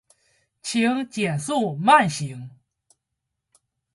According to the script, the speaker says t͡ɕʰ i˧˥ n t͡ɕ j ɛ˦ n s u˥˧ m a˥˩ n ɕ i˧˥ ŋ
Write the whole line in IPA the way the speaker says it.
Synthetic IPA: t͡ɕʰ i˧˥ ŋ t͡ɕ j ɛ˨˩ n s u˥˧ m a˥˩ n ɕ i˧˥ ŋ